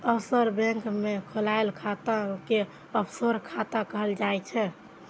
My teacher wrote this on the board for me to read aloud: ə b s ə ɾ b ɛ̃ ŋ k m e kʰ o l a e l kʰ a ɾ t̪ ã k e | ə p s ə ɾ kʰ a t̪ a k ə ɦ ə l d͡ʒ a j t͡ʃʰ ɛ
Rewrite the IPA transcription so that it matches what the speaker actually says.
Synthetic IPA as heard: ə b s ə ɾ b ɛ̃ ŋ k m e kʰ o l a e l kʰ a t̪ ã k e | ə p s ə ɾ kʰ a t̪ a k ə ɦ ə l d͡ʒ a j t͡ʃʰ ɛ